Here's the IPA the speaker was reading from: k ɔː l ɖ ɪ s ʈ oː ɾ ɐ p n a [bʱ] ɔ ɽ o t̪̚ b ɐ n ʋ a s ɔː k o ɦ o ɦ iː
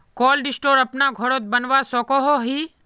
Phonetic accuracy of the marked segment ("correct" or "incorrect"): incorrect